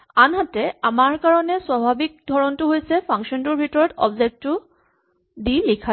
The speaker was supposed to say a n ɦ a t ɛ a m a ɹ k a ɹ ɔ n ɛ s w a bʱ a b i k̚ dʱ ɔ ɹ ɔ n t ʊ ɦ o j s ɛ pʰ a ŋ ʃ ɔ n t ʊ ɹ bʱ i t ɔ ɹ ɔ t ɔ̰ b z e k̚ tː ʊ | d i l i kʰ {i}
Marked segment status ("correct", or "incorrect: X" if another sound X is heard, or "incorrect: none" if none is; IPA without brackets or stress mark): incorrect: a